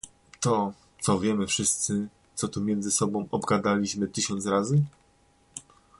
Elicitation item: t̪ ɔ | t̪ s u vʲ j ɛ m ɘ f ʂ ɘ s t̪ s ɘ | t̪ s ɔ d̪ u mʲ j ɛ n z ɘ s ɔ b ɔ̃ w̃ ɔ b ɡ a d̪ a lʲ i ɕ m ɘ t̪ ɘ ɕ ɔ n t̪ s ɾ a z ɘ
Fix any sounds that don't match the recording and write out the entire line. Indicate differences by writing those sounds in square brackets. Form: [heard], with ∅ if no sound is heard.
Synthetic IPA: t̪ ɔ | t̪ s [ɔ] vʲ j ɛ m ɘ f ʂ ɘ s t̪ s ɘ | t̪ s ɔ [t̪] u mʲ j ɛ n z ɘ s ɔ b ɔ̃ w̃ ɔ b ɡ a d̪ a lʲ i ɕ m ɘ t̪ ɘ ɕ ɔ n t̪ s ɾ a z ɘ